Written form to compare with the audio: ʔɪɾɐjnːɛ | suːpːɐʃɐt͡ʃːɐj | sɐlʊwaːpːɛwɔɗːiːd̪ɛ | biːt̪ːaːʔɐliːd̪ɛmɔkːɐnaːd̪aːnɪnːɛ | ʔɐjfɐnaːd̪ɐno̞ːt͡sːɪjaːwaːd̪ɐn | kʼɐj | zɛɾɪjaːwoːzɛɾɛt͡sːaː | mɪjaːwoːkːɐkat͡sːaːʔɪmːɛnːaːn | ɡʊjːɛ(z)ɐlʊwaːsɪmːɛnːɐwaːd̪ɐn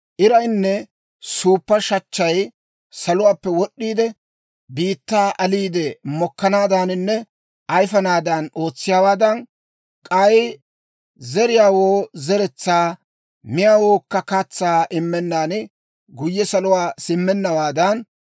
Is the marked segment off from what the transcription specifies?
yes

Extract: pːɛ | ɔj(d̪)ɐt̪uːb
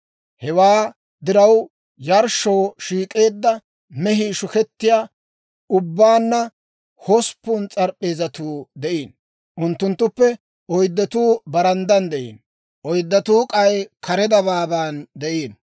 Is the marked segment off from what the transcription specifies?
yes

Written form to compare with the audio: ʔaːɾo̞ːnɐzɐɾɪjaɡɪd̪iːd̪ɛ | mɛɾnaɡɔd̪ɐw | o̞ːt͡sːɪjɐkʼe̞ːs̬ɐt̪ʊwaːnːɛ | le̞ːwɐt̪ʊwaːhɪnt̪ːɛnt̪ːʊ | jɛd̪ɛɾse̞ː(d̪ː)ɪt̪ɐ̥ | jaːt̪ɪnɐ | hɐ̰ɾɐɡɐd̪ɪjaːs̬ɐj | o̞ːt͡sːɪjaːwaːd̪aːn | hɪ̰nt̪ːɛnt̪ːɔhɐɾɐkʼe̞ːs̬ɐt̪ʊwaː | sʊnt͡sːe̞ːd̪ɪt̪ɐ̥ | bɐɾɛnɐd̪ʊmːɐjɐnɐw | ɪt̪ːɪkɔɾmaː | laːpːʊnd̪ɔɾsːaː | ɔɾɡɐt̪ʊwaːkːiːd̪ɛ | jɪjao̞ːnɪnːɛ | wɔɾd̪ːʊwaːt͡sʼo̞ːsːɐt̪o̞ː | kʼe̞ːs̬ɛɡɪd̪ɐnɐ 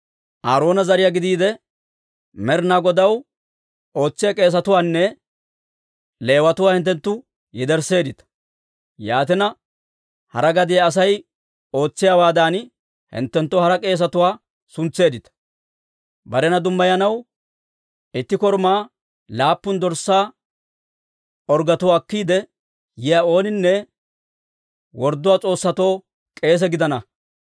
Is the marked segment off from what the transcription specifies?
yes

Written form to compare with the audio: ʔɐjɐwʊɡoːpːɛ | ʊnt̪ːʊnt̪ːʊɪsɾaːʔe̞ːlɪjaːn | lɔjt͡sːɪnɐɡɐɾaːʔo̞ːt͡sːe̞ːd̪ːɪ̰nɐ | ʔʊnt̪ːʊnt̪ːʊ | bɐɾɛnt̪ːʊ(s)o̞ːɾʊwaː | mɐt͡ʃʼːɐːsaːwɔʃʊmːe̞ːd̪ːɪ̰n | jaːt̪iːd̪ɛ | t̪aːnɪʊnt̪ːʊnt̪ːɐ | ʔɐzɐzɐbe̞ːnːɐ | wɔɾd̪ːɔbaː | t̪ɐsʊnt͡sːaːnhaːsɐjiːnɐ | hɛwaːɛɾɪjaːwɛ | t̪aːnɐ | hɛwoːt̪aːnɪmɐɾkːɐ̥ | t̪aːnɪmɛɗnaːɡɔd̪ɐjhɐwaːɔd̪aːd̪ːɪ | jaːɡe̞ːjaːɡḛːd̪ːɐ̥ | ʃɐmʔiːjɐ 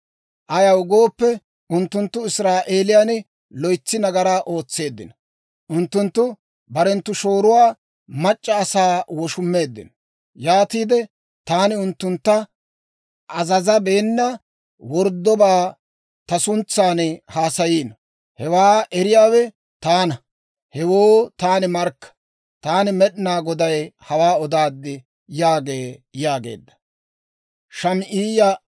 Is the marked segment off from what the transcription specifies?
yes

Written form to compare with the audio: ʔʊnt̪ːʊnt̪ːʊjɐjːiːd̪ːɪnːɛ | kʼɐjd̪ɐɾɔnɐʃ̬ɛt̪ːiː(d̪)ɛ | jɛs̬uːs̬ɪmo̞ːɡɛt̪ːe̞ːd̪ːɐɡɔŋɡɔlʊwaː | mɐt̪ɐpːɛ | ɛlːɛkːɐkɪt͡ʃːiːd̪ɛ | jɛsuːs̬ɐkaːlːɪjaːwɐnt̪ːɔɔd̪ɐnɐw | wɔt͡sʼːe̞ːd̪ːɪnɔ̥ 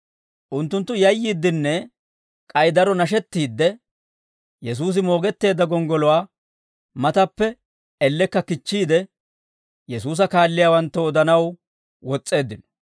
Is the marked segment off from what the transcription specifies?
yes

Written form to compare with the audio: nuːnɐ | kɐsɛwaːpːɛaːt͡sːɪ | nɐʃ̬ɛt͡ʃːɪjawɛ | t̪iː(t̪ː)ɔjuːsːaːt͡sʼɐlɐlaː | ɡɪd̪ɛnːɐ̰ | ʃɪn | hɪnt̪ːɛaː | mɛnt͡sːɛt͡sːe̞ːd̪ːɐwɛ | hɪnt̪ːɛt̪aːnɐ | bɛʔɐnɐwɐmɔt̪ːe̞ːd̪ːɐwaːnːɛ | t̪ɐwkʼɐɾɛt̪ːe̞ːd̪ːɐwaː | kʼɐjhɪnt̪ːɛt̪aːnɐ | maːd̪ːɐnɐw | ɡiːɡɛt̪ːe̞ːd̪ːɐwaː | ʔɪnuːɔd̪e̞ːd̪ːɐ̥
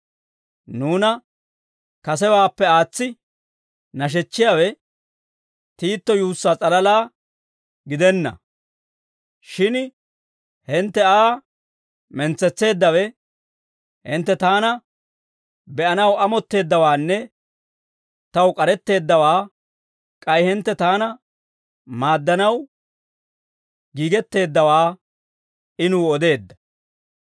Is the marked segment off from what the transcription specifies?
no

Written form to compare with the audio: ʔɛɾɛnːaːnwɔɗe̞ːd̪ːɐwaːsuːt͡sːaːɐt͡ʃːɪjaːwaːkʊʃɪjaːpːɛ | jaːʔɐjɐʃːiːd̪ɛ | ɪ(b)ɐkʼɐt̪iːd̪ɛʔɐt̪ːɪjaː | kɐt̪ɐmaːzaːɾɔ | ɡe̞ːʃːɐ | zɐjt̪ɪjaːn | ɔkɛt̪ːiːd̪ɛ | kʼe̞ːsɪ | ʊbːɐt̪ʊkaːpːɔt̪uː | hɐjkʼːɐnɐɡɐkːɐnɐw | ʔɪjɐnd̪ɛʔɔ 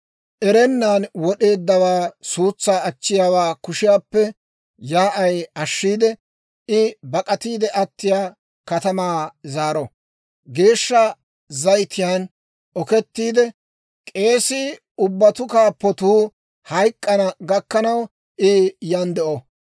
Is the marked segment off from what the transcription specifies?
no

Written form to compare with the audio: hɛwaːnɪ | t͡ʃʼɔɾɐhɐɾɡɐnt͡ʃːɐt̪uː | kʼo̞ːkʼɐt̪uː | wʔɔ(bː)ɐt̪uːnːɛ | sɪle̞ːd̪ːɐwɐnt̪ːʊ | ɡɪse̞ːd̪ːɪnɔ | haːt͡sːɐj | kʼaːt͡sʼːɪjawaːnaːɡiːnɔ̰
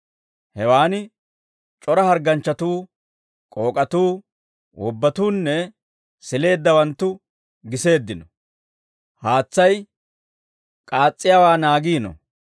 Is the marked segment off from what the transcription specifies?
no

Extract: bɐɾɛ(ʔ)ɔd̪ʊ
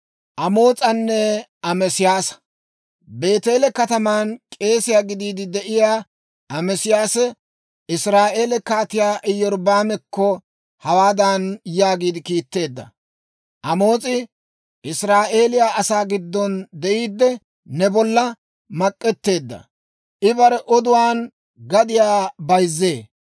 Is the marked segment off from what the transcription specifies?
no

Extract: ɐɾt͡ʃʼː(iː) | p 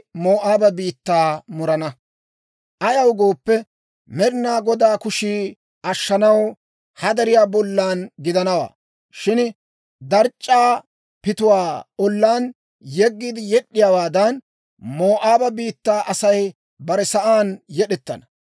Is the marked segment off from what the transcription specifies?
yes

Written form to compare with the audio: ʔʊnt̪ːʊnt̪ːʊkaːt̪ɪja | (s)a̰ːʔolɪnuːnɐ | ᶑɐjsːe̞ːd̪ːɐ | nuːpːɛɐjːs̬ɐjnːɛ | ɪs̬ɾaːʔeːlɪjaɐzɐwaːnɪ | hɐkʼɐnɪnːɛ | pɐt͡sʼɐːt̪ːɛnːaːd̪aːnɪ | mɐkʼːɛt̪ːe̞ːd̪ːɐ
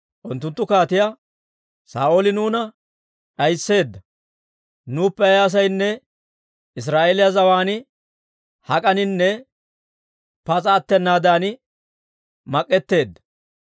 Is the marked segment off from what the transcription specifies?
no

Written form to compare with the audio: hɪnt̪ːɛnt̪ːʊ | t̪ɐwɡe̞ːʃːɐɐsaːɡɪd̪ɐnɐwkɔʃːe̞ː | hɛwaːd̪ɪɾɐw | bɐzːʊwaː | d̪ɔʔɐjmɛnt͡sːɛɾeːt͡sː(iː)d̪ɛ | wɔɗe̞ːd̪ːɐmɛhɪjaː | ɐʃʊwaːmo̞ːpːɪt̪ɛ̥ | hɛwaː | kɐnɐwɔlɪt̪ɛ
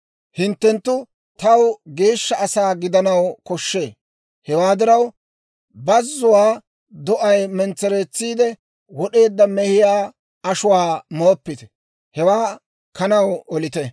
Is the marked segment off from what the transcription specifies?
no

